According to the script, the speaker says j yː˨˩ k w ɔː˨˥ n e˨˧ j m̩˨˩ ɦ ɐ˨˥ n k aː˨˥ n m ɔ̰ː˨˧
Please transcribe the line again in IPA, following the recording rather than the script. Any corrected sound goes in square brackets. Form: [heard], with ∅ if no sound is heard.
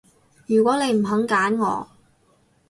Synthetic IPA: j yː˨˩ k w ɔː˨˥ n e˨˧ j m̩˨˩ ɦ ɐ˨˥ [ŋ] k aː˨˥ n [ŋ] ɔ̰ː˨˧